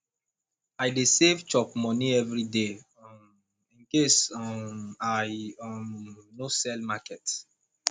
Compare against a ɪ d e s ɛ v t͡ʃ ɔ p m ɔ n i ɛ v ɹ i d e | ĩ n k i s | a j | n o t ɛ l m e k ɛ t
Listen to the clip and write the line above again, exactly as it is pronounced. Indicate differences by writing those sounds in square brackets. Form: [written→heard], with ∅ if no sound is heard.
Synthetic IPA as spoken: a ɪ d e s [ɛ→e] v t͡ʃ ɔ p m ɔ n i ɛ v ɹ i d e | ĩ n k [i→e] s | a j | n o [t→s] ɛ l m [e→a] k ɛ t